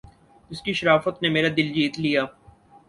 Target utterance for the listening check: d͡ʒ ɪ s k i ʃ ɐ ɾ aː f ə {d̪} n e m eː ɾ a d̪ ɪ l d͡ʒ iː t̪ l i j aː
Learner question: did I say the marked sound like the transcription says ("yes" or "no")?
no